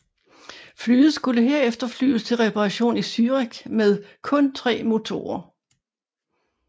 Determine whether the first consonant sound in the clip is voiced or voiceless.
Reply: voiceless